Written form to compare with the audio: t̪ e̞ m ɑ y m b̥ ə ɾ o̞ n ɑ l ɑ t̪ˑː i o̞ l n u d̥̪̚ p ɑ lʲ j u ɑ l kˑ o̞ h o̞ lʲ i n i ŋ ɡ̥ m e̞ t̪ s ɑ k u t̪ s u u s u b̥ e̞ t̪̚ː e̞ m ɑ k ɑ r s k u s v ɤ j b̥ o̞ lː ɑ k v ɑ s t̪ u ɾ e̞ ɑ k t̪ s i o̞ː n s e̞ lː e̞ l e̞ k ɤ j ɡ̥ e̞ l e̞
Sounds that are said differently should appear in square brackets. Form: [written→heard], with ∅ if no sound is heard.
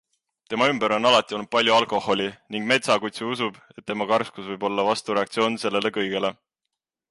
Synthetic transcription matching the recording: t̪ e̞ m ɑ y m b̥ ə ɾ o̞ n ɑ l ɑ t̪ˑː i o̞ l n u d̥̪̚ p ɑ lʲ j u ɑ l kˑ o̞ h o̞ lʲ i n i ŋ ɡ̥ m e̞ t̪ s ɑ k u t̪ s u u s u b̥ e̞ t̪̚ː e̞ m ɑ k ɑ r s k u s v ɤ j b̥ o̞ lː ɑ [k→∅] v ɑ s t̪ u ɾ e̞ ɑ k t̪ s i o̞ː n s e̞ lː e̞ l e̞ k ɤ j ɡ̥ e̞ l e̞